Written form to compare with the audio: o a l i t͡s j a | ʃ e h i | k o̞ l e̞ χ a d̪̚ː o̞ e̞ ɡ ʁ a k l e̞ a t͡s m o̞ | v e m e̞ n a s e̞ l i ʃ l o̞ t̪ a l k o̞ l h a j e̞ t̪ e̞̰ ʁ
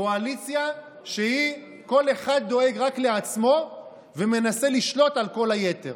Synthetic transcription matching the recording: o a l i t͡s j a | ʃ e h i | k o̞ l e̞ χ a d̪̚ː o̞ e̞ ɡ ʁ a k l e̞ a t͡s m o̞ | v e m e̞ n a s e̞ l i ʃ l o̞ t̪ a l k o̞ l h a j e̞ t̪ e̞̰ ʁ